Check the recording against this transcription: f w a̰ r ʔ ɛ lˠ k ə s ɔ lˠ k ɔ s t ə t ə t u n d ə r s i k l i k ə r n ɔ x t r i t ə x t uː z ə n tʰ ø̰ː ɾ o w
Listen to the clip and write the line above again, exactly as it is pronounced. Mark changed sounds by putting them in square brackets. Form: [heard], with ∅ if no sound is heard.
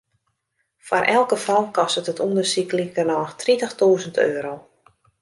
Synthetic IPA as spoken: f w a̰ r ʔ ɛ lˠ k ə [f] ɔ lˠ k ɔ s t ə t ə t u n d ə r s i k l i k ə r n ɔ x t r i t ə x t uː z ə n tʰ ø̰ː ɾ o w